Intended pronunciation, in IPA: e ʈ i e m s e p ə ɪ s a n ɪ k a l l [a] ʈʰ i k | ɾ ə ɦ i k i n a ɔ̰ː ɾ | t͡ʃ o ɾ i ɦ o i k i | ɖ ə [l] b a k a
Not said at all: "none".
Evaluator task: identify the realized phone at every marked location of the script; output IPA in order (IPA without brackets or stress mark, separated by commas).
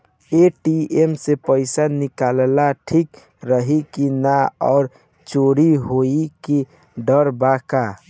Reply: a, ɾ